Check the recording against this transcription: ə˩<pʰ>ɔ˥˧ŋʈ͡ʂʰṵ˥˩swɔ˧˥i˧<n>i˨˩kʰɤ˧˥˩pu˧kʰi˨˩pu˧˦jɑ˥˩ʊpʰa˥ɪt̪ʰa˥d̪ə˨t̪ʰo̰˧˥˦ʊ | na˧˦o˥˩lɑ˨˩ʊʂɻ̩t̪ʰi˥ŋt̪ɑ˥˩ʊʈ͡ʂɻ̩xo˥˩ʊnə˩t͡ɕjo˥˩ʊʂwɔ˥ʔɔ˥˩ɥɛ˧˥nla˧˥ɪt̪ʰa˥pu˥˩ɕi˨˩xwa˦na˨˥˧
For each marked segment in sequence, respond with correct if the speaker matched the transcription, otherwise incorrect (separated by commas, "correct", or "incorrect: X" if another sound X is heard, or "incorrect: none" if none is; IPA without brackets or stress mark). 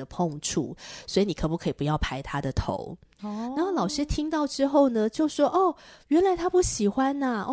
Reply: correct, correct